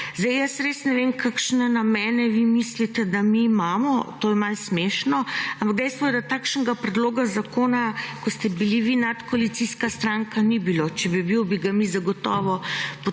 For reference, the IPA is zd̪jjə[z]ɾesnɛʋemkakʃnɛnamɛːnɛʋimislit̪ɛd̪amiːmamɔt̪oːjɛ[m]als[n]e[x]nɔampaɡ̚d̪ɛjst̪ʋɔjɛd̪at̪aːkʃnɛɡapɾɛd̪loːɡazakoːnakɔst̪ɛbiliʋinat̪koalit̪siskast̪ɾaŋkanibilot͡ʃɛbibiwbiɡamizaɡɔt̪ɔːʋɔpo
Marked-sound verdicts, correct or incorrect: incorrect, correct, incorrect, incorrect

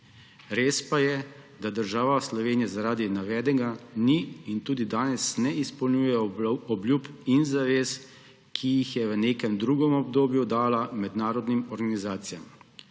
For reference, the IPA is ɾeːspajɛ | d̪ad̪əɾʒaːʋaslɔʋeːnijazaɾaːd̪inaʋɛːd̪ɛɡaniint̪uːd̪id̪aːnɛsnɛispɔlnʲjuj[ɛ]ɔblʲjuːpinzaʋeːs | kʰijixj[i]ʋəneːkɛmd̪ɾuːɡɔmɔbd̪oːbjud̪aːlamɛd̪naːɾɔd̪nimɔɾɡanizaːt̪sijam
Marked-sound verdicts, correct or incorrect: correct, incorrect

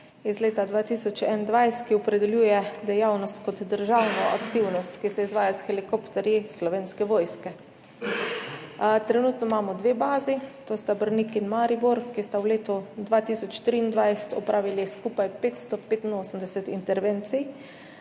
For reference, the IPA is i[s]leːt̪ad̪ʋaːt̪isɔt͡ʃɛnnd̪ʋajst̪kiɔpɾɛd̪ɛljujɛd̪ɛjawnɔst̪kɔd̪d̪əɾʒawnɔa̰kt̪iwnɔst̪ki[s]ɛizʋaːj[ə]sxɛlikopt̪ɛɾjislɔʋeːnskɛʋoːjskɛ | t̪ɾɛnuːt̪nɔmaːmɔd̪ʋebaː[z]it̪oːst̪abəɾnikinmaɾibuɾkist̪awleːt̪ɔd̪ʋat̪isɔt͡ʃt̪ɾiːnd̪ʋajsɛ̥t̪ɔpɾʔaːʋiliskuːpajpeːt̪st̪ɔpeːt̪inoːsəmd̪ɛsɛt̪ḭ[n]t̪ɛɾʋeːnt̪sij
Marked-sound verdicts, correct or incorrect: incorrect, correct, incorrect, correct, correct

